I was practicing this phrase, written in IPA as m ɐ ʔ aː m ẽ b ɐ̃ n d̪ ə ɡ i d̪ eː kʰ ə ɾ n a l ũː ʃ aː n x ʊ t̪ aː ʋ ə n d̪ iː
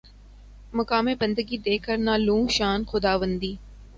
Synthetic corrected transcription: m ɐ k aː m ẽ b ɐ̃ n d̪ ə ɡ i d̪ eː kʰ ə ɾ n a l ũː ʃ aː n x ʊ d̪ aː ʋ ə n d̪ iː